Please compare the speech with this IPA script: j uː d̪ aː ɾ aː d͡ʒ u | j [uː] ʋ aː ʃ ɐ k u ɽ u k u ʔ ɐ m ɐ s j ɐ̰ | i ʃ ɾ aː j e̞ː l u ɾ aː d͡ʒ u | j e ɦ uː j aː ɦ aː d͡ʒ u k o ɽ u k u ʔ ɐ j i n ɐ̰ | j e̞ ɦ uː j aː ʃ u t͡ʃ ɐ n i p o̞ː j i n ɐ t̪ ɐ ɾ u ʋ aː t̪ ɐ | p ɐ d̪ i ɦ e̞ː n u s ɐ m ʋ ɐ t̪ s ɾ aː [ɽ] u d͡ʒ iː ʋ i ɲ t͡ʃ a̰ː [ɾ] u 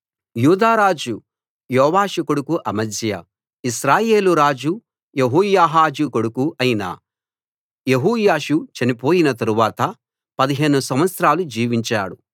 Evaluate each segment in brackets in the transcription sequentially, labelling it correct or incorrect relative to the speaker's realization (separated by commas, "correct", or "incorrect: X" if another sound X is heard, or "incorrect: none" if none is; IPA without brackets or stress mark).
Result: incorrect: ɔː, incorrect: l, incorrect: ɽ